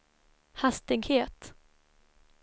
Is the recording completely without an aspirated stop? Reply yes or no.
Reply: yes